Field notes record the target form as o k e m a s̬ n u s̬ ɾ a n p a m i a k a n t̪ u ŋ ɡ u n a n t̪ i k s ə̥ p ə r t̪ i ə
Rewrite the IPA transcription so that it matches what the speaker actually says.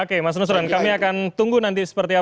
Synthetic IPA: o k e m a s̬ n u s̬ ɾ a n k a m i a k a n t̪ u ŋ ɡ u n a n t̪ i s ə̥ p ə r t̪ i a